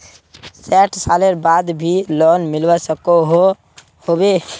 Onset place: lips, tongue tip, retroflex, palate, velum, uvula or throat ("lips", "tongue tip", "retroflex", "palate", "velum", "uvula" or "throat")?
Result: tongue tip